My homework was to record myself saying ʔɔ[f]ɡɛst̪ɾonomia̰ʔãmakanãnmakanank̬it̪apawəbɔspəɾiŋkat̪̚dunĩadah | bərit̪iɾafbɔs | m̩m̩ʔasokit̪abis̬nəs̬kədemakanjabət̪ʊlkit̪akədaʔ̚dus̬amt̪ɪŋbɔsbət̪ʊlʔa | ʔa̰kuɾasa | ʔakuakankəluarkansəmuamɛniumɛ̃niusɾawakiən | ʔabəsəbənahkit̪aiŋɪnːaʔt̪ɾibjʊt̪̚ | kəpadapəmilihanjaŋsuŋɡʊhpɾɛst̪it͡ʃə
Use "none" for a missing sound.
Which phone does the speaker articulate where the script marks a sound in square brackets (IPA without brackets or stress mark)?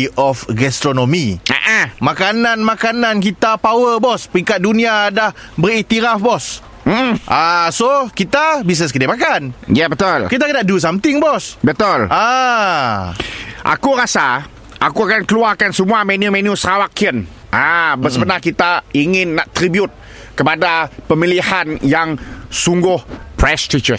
f